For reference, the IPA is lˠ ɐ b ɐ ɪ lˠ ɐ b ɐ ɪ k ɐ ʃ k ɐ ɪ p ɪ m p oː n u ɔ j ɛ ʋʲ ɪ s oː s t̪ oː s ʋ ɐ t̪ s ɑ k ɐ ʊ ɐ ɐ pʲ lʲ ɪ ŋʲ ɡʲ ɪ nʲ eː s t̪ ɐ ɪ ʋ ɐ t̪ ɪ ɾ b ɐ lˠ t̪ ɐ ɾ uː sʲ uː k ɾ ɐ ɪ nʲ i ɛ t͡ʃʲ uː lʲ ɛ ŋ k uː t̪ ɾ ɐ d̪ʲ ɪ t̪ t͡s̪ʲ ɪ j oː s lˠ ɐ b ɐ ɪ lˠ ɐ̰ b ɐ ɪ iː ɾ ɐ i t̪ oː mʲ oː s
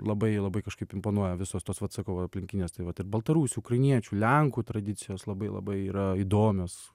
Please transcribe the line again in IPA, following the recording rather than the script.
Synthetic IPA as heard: lˠ ɐ b ɐ ɪ lˠ ɐ b ɐ ɪ k ɐ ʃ k ɐ ɪ p ɪ m p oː n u ɔ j ɛ ʋʲ ɪ s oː s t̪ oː s ʋ ɐ t̪ s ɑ k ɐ ʊ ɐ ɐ pʲ lʲ ɪ ŋʲ kʲ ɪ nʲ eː s t̪ ɐ ɪ ʋ ɐ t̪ ɪ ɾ b ɐ lˠ t̪ ɐ ɾ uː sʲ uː k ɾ ɐ ɪ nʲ i ɛ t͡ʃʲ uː lʲ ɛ ŋ k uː t̪ ɾ ɐ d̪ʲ ɪ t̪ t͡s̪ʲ ɪ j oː s lˠ ɐ b ɐ ɪ lˠ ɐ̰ b ɐ ɪ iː ɾ ɐ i d̪ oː mʲ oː s

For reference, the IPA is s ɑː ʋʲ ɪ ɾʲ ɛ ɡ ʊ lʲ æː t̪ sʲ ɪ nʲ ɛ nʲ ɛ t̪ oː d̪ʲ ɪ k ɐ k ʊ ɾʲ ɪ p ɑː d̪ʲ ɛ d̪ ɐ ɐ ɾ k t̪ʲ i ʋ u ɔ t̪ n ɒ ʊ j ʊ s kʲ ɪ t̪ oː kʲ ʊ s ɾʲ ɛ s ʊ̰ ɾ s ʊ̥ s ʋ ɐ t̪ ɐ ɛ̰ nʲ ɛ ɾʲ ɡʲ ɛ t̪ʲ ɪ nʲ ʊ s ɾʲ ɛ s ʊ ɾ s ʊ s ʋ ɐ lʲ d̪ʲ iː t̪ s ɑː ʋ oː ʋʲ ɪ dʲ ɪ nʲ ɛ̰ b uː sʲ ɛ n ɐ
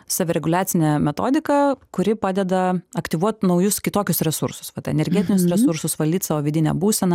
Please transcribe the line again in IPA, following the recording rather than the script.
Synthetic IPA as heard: s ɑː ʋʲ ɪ ɾʲ ɛ ɡ ʊ lʲ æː t̪ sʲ ɪ nʲ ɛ mʲ ɛ t̪ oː d̪ʲ ɪ k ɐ k ʊ ɾʲ ɪ p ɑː d̪ʲ ɛ d̪ ɐ ɐ k t̪ʲ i ʋ u ɔ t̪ n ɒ ʊ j ʊ s kʲ ɪ t̪ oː kʲ ʊ s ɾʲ ɛ s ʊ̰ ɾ s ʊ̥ s ʋ ɐ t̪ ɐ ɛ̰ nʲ ɛ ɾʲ ɡʲ ɛ t̪ʲ ɪ nʲ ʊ s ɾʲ ɛ s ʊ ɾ s ʊ s ʋ ɐ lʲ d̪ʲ iː t̪ s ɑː ʋ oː ʋʲ ɪ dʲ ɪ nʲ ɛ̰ b uː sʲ ɛ n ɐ

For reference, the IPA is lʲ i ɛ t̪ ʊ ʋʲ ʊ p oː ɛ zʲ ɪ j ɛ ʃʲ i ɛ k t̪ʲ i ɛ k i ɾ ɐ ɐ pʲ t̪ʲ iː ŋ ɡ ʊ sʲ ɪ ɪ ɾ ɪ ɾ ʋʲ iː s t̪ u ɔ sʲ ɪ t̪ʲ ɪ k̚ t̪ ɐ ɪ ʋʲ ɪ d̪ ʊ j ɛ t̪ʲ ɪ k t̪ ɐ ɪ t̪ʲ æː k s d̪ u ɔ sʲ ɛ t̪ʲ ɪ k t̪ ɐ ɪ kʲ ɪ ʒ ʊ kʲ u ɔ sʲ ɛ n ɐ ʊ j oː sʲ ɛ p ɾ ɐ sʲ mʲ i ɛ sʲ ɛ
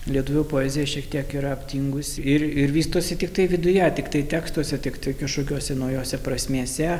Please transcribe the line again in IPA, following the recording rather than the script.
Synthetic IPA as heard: lʲ i ɛ t̪ ʊ ʋʲ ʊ p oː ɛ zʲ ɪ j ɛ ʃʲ i ɛ k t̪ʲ i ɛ k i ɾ ɐ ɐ pʲ t̪ʲ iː ŋ ɡ ʊ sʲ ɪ ɪ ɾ ɪ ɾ ʋʲ iː s t̪ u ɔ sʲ ɪ t̪ʲ ɪ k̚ t̪ ɐ ɪ ʋʲ ɪ d̪ ʊ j ɛ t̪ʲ ɪ k t̪ ɐ ɪ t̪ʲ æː k s t̪ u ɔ sʲ ɛ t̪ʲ ɪ k t̪ ɐ ɪ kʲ ɪ ʃ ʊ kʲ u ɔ sʲ ɛ n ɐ ʊ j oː sʲ ɛ p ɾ ɐ sʲ mʲ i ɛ sʲ ɛ

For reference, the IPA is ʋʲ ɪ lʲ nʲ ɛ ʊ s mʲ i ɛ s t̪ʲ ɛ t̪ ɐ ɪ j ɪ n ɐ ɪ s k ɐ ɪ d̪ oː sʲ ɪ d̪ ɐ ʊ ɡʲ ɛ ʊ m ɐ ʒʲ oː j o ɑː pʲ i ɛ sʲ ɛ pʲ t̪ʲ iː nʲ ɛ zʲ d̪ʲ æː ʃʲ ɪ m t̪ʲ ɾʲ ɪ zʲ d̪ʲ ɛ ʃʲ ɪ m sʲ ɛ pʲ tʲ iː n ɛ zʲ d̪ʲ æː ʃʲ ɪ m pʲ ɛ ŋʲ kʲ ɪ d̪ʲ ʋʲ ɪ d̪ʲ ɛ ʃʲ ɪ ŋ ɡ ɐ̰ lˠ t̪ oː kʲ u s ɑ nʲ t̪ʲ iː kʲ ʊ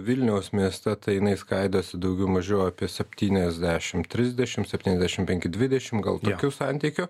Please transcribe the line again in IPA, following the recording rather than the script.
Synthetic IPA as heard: ʋʲ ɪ lʲ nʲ ɛ ʊ s mʲ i ɛ s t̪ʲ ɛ t̪ ɐ ɪ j ɪ n ɐ ɪ s k ɐ ɪ d̪ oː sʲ ɪ d̪ ɐ ʊ ɡʲ ɛ ʊ m ɐ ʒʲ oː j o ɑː pʲ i ɛ sʲ ɛ pʲ t̪ʲ iː nʲ ɛ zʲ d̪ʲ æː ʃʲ ɪ m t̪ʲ ɾʲ ɪ zʲ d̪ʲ ɛ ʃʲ ɪ m sʲ ɛ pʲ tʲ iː n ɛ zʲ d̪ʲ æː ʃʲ ɪ m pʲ ɛ ŋʲ kʲ ɪ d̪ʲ ʋʲ ɪ d̪ʲ ɛ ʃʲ ɪ m ɡ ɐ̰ lˠ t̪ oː kʲ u s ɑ nʲ t̪ʲ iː kʲ ʊ

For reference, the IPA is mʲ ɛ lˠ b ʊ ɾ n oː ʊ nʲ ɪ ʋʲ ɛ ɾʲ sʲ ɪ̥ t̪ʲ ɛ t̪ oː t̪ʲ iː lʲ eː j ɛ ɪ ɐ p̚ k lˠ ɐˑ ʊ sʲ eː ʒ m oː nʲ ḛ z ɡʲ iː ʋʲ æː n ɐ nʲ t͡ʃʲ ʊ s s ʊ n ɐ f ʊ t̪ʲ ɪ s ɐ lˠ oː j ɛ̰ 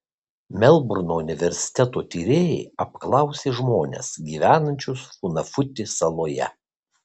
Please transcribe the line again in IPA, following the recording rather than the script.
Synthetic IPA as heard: mʲ ɛ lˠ b ʊ ɾ n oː ʊ nʲ ɪ ʋʲ ɛ ɾʲ sʲ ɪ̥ t̪ʲ ɛ t̪ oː t̪ʲ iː ɾʲ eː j ɛ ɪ ɐ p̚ k lˠ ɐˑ ʊ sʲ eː ʒ m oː nʲ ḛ s ɡʲ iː ʋʲ æː n ɐ nʲ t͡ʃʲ ʊ s f ʊ n ɐ f ʊ t̪ʲ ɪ s ɐ lˠ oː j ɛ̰

